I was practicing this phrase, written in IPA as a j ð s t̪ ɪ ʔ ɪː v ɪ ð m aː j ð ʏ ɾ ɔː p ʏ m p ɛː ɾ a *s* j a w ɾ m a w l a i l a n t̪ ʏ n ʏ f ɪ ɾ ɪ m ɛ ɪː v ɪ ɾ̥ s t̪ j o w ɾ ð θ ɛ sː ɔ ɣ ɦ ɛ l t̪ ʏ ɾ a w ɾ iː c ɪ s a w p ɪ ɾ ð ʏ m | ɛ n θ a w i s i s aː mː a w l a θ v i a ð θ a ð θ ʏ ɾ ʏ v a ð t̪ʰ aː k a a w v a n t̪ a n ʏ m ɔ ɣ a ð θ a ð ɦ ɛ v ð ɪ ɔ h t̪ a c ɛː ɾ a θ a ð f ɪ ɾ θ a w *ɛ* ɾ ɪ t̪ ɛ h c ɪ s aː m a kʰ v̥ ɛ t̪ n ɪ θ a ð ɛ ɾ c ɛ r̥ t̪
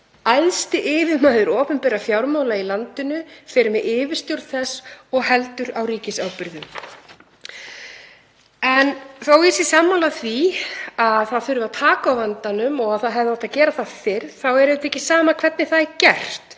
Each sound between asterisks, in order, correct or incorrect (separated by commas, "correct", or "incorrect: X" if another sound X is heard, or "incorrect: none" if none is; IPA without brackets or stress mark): incorrect: f, correct